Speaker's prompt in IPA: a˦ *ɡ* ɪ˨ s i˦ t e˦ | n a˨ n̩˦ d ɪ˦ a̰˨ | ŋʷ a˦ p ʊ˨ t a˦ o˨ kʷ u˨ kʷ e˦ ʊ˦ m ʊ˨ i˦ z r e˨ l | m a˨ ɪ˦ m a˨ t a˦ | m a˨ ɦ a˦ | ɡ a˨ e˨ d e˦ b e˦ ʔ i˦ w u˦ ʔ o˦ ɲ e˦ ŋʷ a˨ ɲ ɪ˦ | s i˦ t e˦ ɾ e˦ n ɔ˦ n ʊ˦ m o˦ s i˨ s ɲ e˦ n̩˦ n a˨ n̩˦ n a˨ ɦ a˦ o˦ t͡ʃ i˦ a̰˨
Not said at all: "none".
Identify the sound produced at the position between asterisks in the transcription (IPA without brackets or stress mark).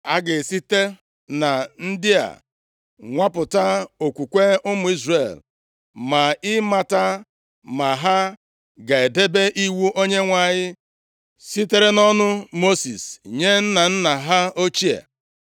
ɡ